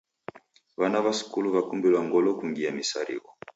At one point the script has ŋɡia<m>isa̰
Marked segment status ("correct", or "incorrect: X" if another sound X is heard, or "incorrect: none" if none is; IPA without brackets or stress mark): correct